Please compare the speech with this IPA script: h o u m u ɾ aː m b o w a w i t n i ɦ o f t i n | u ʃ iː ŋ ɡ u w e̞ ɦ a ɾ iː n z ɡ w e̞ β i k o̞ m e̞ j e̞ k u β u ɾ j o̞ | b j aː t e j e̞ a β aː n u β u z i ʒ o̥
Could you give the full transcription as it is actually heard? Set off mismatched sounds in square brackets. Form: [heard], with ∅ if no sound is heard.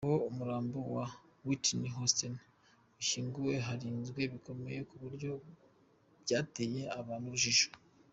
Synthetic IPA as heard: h o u m u ɾ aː m b o w a w i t n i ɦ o [s] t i n | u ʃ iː ŋ ɡ u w e̞ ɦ a ɾ iː n z ɡ w e̞ β i k o̞ m e̞ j e̞ k u β u ɾ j o̞ | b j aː t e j e̞ a β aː n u β u [ʒ] i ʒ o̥